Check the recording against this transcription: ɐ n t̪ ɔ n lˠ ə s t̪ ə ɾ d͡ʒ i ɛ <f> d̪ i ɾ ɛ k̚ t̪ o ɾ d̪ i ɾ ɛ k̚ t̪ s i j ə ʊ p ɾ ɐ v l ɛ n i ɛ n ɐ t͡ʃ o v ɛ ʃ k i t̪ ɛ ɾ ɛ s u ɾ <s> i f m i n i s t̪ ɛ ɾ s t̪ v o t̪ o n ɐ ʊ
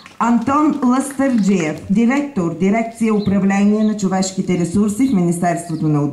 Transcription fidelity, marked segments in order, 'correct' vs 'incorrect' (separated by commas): correct, correct